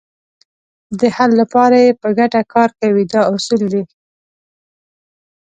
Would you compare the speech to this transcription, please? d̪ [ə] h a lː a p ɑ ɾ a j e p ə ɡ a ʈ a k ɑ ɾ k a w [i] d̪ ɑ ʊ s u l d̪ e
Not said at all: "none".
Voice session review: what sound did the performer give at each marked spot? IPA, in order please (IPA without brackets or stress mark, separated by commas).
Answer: ə, i